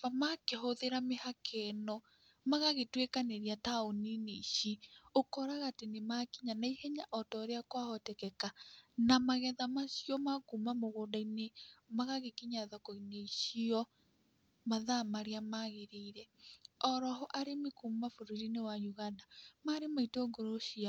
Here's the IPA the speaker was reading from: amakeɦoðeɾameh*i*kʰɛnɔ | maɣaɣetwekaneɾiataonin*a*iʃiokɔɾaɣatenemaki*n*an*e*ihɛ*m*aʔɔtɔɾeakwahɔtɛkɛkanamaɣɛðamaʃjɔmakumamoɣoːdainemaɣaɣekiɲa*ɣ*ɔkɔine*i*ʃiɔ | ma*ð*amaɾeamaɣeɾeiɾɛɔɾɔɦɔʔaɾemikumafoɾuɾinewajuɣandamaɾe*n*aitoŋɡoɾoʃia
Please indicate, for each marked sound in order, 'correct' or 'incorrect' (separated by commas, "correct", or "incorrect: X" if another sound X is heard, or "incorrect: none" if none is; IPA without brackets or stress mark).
incorrect: a, incorrect: e, incorrect: ɲ, incorrect: a, incorrect: ɲ, incorrect: ð, correct, correct, incorrect: m